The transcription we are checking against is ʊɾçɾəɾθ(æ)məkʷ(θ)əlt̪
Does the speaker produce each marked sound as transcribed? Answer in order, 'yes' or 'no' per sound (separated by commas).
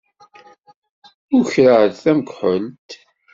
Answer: yes, no